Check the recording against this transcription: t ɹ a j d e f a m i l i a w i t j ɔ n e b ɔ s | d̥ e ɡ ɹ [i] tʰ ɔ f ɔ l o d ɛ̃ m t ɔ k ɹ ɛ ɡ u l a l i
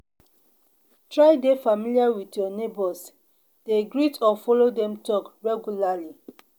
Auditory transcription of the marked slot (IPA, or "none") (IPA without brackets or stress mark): i